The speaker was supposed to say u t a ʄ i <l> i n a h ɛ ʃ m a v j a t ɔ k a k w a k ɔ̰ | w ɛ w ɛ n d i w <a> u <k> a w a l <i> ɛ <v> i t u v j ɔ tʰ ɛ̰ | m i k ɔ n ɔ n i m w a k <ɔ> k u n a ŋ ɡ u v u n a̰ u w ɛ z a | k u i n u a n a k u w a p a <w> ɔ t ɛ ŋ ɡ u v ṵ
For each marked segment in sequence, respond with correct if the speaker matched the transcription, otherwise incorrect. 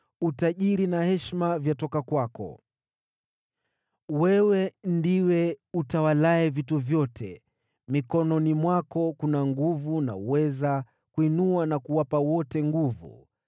incorrect: ɾ, incorrect: ɛ, incorrect: t, incorrect: a, correct, correct, correct

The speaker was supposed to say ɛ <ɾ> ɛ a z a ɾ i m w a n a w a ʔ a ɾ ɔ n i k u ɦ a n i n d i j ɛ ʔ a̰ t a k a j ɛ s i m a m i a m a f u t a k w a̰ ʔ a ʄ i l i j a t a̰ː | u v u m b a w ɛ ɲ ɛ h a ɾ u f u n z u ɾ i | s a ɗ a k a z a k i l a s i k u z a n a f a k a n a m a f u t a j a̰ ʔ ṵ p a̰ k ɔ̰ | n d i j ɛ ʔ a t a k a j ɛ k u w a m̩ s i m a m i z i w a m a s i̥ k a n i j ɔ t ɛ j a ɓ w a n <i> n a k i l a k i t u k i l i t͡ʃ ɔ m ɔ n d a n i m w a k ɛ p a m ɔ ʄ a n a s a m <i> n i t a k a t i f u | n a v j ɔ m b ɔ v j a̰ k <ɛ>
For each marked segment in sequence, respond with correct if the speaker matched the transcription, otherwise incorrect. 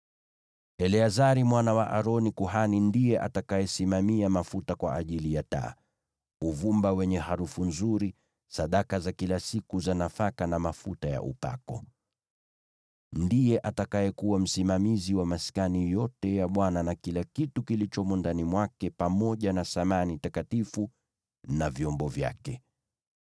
incorrect: l, incorrect: a, incorrect: a, correct

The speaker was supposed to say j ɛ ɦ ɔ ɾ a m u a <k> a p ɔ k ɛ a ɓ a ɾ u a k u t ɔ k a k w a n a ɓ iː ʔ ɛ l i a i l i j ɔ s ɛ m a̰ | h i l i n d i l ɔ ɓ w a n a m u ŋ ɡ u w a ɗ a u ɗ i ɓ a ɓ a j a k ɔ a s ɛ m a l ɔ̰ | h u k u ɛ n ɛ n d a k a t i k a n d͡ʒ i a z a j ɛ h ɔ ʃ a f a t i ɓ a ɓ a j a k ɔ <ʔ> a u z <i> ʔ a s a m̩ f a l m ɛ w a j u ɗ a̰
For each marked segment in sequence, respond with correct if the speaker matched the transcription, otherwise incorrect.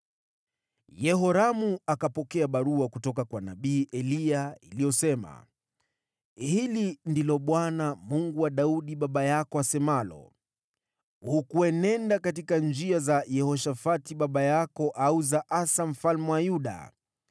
correct, correct, incorrect: a

